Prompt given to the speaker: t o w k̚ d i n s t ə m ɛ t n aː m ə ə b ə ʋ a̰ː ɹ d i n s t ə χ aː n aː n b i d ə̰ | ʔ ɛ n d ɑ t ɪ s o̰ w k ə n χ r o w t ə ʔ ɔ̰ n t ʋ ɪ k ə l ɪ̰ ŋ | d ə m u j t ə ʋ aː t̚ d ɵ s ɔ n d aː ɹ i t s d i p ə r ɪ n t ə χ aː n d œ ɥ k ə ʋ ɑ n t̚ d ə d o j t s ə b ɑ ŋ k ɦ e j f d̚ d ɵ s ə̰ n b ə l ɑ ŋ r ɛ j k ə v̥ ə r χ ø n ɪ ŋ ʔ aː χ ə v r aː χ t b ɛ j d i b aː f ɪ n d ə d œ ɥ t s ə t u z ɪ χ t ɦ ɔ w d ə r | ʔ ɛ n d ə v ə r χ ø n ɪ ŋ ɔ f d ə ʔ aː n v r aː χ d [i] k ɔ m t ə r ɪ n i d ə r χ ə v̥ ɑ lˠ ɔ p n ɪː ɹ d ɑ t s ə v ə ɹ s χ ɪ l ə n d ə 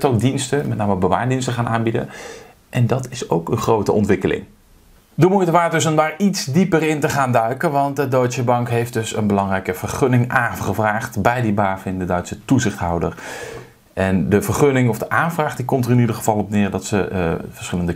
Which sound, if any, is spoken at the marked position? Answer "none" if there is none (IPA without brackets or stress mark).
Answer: i